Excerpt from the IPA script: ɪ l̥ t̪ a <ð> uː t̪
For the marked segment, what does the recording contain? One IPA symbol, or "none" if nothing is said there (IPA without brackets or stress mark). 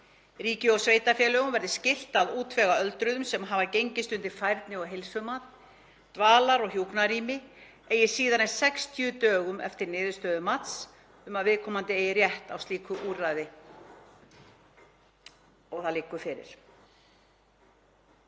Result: ð